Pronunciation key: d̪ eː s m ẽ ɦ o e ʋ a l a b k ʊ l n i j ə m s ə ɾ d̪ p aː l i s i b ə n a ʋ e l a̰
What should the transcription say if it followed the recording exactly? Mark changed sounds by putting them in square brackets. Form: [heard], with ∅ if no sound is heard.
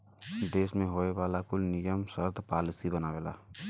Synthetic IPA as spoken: d̪ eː s m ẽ ɦ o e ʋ a l a [∅] k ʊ l n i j ə m s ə ɾ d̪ p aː l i s i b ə n a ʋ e l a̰